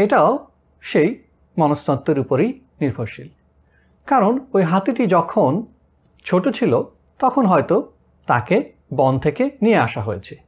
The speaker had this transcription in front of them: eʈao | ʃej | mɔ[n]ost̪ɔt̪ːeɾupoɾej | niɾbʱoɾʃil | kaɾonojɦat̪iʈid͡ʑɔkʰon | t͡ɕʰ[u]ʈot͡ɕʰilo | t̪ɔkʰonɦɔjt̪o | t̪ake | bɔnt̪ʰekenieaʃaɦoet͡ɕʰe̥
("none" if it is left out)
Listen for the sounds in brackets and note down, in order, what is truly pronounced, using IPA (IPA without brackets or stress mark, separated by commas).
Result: n, o